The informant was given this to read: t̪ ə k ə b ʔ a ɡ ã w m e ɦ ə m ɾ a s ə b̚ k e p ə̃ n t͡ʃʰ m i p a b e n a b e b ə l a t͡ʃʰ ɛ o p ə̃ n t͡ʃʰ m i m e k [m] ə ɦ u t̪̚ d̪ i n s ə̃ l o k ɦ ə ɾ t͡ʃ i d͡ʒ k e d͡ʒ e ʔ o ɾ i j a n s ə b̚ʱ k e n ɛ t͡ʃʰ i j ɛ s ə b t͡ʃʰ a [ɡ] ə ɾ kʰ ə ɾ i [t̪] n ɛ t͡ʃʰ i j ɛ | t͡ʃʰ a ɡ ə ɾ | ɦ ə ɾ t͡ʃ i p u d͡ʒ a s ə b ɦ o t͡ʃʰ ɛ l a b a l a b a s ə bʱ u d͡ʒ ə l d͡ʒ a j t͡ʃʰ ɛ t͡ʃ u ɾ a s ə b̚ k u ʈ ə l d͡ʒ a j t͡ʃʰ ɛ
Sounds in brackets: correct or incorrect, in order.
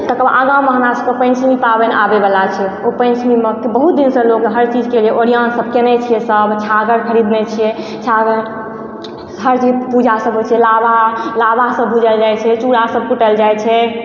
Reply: incorrect, correct, incorrect

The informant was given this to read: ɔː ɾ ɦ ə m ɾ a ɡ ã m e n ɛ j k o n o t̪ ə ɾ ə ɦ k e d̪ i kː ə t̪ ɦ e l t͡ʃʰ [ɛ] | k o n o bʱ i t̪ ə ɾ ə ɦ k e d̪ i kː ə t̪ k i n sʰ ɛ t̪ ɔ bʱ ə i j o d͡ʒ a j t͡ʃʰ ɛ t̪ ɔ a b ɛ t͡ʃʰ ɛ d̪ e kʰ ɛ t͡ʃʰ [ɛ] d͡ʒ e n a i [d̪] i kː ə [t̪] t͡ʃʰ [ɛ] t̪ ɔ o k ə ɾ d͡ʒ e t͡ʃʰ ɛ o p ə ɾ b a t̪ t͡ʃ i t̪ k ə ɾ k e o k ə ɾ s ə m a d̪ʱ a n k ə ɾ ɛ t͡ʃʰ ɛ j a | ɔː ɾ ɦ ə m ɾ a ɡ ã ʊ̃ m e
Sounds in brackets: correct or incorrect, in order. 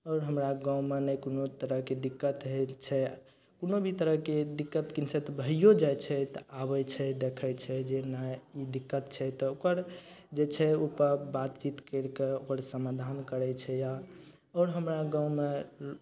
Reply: correct, correct, correct, correct, correct

